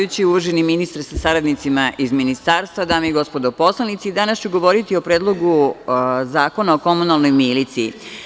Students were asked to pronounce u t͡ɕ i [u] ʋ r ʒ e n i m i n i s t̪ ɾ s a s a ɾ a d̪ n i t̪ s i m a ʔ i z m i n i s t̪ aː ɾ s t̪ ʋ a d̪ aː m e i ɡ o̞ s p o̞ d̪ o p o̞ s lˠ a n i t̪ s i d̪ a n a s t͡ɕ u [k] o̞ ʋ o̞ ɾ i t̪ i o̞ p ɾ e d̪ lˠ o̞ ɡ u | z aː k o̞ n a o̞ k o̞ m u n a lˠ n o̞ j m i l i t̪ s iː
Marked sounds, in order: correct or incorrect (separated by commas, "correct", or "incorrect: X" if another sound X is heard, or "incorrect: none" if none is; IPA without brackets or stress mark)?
correct, incorrect: ɡ